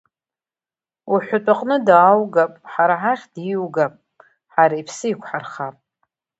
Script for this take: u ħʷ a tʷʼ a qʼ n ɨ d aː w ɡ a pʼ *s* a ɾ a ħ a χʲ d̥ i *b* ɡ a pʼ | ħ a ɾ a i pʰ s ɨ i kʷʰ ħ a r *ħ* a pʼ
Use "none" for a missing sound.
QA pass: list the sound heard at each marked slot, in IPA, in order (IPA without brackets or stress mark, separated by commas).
ħ, w, χ